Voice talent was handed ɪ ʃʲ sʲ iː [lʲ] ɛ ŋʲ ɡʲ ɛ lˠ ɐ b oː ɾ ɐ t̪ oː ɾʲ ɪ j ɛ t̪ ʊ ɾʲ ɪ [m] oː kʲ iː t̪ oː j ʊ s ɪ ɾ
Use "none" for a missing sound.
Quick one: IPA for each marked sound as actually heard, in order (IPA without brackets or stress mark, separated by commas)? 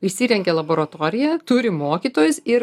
ɾʲ, m